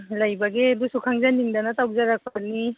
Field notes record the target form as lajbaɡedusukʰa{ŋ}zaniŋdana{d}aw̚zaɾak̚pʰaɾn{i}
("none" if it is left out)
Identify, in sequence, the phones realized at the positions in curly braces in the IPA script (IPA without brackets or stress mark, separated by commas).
ŋ, t, i